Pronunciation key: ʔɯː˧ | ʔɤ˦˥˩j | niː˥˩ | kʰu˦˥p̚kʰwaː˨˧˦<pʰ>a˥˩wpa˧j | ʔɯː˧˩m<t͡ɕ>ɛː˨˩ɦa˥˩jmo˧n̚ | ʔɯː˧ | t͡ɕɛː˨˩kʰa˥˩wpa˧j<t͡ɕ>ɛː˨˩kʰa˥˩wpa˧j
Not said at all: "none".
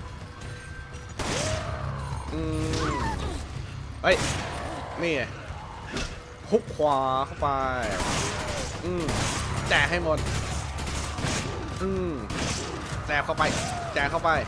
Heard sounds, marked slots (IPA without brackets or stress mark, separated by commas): kʰ, t͡ɕ, t͡ɕ